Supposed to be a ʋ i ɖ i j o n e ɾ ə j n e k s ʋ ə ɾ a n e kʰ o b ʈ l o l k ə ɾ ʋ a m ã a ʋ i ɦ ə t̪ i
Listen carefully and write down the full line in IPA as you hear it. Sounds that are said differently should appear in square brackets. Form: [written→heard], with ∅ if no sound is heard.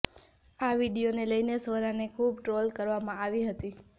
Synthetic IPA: a ʋ i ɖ i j o n e [ɾ→l] ə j n e [k→∅] s ʋ ə ɾ a n e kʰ [o→u] b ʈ [l→ɾ] o l k ə ɾ ʋ a m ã a ʋ i ɦ ə t̪ i